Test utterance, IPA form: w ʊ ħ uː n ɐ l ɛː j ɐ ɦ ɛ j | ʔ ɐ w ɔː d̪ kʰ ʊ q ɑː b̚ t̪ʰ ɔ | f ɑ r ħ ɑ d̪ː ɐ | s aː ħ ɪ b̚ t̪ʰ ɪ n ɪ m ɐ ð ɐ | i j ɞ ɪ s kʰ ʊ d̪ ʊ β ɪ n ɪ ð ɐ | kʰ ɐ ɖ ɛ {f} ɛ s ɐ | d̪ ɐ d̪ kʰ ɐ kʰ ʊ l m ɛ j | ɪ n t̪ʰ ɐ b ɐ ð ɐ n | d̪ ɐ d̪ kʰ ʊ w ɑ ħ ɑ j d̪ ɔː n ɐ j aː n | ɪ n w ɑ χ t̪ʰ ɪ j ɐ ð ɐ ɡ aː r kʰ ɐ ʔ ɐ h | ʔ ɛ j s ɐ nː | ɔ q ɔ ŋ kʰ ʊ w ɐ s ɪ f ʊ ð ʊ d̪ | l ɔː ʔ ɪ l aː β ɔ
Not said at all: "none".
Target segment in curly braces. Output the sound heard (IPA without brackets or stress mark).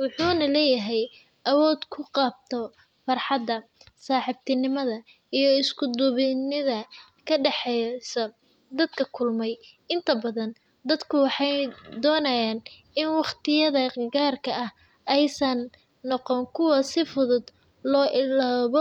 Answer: ħ